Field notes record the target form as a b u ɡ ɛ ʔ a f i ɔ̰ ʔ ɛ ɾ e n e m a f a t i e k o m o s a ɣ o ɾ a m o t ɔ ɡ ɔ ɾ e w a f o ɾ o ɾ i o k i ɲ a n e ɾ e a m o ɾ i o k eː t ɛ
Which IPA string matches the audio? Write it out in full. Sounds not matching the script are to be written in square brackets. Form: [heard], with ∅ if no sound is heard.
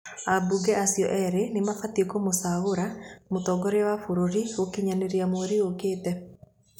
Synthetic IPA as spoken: a b u ɡ ɛ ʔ a [s] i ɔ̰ ʔ ɛ ɾ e n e m a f a t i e k o m o s a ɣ o ɾ a m o t ɔ ɡ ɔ ɾ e w a f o ɾ o ɾ i o k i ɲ a n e ɾ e a m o ɾ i o k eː t ɛ